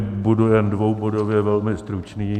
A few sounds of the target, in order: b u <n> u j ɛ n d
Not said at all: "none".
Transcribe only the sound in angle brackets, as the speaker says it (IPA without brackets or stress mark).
d